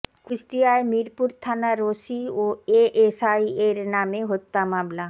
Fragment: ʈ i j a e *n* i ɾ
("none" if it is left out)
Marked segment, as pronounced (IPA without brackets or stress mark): m